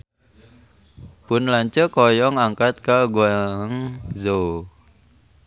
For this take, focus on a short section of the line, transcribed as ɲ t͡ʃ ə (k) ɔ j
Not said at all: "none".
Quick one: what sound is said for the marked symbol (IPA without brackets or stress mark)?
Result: k